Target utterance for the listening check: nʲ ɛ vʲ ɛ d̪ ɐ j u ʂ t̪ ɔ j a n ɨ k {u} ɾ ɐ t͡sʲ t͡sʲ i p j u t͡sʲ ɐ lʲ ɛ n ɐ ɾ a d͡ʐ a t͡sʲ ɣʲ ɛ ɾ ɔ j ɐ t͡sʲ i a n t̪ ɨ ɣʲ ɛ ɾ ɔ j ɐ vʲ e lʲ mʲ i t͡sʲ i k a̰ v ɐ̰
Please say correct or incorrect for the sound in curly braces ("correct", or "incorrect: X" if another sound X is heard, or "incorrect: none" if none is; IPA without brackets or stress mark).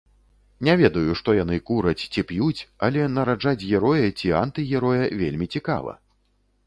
correct